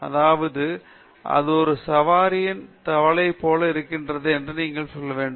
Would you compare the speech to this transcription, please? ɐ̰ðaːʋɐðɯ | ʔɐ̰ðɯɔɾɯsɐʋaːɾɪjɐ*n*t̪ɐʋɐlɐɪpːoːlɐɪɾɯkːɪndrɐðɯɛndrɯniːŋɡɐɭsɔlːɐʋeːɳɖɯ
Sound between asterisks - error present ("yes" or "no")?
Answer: no